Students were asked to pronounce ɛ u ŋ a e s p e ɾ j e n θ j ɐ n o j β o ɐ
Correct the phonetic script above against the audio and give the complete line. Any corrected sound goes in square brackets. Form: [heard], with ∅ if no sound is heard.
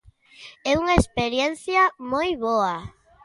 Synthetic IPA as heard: ɛ u ŋ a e s p e ɾ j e n θ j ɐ [m] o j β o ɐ